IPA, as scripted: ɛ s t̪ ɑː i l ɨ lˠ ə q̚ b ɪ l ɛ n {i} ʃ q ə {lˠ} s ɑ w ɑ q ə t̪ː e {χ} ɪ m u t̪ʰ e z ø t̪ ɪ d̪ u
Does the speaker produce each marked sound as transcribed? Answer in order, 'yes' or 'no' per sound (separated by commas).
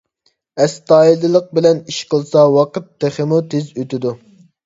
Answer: yes, yes, yes